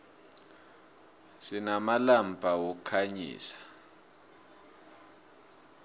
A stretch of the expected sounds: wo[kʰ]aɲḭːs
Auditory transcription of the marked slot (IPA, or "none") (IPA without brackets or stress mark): kʰ